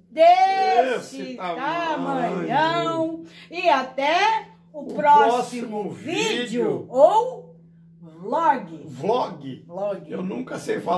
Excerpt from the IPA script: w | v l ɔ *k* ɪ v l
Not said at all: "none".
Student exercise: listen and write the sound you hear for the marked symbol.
ɡ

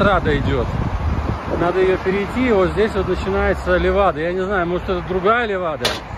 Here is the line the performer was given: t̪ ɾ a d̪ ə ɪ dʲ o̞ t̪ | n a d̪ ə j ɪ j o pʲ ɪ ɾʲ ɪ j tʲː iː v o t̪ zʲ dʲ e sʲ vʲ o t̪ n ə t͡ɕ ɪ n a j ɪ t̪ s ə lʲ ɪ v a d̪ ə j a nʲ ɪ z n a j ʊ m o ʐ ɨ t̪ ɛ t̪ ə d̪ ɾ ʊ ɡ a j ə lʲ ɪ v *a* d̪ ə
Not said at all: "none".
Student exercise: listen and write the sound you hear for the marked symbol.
a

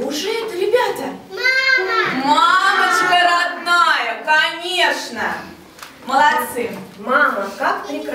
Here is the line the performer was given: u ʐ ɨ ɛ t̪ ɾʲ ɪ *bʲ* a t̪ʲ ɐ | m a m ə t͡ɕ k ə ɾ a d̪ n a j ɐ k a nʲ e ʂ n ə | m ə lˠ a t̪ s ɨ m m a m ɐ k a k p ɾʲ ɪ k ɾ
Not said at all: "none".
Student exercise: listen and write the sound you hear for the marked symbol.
bʲ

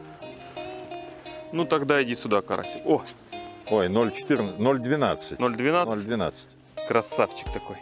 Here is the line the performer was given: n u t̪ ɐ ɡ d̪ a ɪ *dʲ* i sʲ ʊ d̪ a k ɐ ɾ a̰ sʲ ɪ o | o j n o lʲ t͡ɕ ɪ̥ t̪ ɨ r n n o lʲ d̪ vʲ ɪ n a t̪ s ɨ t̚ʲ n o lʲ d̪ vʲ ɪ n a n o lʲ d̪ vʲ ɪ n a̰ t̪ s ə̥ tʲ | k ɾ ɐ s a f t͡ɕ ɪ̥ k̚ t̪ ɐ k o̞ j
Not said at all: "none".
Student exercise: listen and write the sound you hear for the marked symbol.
dʲ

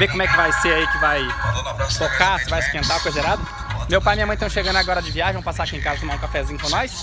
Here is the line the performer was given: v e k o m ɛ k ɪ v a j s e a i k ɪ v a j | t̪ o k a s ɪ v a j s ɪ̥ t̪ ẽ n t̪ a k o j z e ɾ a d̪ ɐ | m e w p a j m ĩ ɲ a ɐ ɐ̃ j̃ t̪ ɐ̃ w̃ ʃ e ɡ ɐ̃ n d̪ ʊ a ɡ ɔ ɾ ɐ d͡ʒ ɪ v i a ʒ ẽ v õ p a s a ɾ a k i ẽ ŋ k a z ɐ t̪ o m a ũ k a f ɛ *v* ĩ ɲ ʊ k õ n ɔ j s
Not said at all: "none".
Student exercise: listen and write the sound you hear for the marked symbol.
z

